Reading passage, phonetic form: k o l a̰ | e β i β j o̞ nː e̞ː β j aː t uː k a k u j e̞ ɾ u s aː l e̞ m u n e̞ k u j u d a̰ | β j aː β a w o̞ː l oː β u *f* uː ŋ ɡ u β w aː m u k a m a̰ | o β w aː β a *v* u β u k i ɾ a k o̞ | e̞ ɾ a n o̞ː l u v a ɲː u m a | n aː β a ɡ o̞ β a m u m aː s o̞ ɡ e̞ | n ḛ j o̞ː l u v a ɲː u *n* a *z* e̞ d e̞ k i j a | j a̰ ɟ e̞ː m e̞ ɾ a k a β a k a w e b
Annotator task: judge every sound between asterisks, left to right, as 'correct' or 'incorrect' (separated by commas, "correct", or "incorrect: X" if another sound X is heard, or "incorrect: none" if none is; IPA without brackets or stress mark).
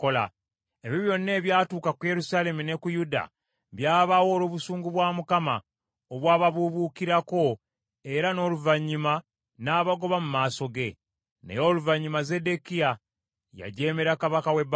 incorrect: s, incorrect: β, incorrect: m, correct